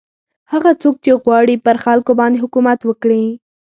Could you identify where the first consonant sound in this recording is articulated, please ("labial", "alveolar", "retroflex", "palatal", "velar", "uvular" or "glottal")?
glottal